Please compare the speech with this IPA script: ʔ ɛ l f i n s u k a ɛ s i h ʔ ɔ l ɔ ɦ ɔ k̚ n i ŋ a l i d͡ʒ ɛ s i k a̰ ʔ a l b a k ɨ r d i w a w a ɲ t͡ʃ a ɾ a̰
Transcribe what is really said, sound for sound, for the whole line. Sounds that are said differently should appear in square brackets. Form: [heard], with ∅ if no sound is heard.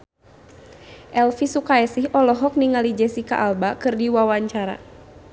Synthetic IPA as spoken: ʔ ɛ l f i [∅] s u k a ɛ s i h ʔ ɔ l ɔ ɦ ɔ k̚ n i ŋ a l i d͡ʒ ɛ s i k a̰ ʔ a l b a k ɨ r d i w a w a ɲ t͡ʃ a ɾ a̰